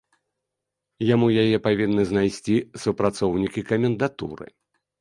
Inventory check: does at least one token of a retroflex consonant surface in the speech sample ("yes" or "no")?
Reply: no